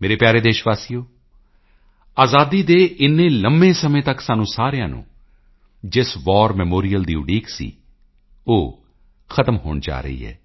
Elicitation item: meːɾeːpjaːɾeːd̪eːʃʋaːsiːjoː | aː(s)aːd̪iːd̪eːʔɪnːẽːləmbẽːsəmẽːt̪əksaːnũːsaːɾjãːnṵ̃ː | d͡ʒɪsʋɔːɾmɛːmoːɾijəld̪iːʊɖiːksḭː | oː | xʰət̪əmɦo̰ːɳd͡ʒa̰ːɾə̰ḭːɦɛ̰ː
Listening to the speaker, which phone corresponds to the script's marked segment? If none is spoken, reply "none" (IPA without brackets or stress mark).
z